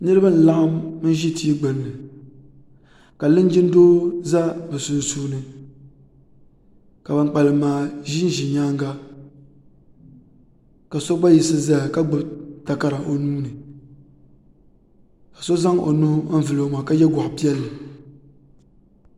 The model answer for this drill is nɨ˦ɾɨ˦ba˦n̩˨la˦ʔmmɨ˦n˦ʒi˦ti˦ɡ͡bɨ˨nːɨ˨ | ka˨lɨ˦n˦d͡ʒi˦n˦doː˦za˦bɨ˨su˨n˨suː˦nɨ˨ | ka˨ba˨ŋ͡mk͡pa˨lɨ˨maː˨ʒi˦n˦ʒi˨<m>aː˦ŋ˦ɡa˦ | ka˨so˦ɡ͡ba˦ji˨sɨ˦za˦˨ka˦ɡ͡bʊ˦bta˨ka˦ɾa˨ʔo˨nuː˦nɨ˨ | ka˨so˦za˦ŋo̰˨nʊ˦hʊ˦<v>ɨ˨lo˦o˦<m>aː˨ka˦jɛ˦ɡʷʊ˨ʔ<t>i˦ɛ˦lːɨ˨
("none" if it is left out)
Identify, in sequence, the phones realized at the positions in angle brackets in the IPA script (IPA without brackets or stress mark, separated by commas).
ɲ, v, m, p